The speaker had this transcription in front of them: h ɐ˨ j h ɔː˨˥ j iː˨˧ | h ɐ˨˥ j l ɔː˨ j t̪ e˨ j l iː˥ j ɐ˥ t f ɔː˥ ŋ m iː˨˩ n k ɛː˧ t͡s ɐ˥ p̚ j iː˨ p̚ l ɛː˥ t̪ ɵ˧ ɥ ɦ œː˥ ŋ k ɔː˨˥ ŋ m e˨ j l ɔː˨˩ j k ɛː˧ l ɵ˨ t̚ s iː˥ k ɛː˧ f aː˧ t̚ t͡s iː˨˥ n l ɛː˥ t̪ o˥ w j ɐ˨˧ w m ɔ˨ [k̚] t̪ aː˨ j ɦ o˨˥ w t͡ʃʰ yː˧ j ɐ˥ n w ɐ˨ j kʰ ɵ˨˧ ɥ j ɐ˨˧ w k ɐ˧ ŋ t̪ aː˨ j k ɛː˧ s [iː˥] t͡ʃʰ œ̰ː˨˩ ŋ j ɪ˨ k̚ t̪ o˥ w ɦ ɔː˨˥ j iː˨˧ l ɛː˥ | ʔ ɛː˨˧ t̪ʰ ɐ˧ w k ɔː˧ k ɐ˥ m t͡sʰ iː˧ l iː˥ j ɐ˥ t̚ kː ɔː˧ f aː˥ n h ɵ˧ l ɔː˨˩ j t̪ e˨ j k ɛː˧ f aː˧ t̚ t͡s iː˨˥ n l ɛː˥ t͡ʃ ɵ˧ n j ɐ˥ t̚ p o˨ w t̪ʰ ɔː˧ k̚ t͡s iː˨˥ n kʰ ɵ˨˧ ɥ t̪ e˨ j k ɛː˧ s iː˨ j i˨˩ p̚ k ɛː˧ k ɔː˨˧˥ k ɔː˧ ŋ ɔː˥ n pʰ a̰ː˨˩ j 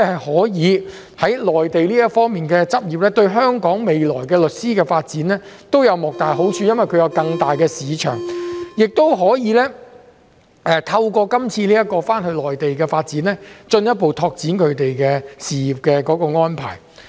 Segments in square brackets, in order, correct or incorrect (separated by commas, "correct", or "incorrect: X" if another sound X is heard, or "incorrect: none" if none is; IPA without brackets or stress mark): correct, incorrect: iː˨˧